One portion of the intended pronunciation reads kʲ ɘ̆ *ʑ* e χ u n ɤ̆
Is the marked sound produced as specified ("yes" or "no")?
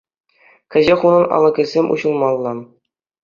yes